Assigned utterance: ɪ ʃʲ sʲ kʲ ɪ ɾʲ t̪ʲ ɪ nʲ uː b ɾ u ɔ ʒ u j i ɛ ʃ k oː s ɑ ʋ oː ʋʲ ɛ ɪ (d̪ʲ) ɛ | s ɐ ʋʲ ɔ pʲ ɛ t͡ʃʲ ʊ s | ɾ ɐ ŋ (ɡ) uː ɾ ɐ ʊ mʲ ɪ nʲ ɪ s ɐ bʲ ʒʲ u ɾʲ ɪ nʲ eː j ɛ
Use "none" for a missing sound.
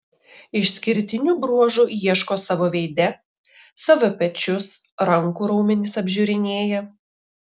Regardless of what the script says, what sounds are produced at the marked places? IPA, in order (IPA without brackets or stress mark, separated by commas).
d̪ʲ, k